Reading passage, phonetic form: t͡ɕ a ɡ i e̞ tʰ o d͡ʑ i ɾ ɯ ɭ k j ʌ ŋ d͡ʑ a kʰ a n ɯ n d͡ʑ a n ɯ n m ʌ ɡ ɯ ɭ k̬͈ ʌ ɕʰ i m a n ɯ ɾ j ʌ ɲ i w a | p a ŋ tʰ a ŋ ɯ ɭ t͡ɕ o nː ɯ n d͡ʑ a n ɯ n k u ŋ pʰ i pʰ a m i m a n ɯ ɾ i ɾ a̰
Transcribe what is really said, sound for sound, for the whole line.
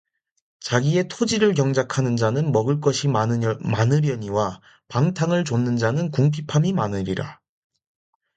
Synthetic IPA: t͡ɕ a ɡ i e̞ tʰ o d͡ʑ i ɾ ɯ ɭ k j ʌ ŋ d͡ʑ a kʰ a n ɯ n d͡ʑ a n ɯ n m ʌ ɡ ɯ ɭ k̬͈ ʌ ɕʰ i m a n ɯ ɾ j ʌ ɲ i w a | p a ŋ tʰ a ŋ ɯ ɭ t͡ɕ o nː ɯ n d͡ʑ a n ɯ n k u ŋ pʰ i pʰ a m i m a n ɯ ɾ i ɾ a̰